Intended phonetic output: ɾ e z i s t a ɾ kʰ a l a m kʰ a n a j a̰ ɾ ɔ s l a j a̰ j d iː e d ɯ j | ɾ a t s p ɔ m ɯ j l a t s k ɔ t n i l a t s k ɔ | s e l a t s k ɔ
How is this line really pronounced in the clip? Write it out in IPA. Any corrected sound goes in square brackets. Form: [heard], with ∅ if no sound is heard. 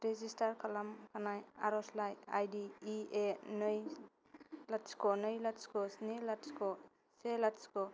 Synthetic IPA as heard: ɾ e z i s t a ɾ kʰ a l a m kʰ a n a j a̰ ɾ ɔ s l a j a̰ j d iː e [n] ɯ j | [l] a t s [k] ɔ [n] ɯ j l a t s k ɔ [s] n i l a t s k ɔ | s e l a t s k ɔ